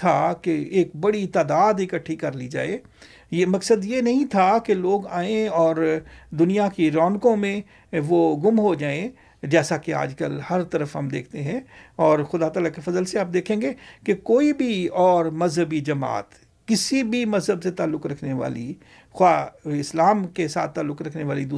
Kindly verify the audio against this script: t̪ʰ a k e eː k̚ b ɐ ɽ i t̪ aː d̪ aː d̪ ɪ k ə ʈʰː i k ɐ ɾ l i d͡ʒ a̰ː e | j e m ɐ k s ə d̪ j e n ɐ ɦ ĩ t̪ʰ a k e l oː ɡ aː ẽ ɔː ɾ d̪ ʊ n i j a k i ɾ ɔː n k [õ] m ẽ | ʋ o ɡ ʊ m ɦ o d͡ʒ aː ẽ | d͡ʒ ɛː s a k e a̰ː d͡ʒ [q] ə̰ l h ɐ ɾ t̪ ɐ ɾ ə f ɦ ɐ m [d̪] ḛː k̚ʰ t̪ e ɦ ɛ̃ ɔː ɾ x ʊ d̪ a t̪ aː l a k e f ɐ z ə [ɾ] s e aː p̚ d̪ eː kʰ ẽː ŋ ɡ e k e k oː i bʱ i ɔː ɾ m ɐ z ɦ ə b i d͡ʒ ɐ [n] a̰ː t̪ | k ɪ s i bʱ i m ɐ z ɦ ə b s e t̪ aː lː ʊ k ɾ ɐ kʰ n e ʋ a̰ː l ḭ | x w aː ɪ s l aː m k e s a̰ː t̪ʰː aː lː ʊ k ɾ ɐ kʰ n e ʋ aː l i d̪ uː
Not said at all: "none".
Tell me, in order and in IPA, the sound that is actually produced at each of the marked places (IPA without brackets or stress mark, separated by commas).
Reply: õ, k, d̪, l, m